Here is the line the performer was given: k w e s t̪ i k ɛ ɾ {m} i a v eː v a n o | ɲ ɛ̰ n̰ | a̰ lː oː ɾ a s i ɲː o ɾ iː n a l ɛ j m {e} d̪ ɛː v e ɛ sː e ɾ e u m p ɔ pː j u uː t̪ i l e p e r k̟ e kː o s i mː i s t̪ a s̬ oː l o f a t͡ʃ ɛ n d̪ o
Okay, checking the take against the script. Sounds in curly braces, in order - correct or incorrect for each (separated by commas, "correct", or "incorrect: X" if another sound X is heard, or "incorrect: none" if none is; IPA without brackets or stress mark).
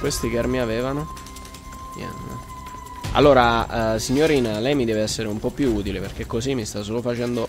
correct, incorrect: i